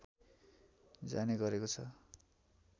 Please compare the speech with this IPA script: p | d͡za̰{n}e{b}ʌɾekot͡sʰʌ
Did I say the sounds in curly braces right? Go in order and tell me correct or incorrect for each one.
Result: correct, incorrect

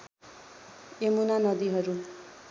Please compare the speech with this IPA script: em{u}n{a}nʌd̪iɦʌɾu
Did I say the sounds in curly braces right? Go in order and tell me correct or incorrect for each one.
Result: correct, correct

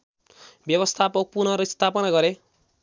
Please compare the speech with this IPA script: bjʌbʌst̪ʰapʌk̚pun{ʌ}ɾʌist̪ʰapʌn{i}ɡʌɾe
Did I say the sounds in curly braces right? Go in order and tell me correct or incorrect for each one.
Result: correct, incorrect

